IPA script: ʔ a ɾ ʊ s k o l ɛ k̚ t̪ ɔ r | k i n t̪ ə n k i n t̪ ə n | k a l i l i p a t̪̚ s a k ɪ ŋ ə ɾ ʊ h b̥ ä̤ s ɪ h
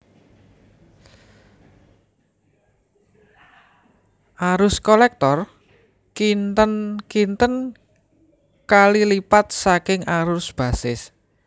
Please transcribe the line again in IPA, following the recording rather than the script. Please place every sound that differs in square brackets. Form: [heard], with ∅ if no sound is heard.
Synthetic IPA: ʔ a ɾ ʊ s k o l ɛ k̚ t̪ ɔ r | k i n t̪ ə n k i n t̪ ə n | k a l i l i p a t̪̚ s a k ɪ ŋ [a] ɾ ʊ [s] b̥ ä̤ s ɪ [s]